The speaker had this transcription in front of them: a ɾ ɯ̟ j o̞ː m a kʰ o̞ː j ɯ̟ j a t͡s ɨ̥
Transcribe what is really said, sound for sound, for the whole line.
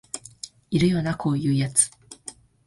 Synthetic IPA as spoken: i ɾ ɯ̟ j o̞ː n a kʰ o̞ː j ɯ̟ː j a t͡s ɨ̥